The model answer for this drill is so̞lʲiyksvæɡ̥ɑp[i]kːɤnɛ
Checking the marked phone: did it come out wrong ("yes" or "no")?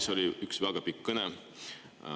no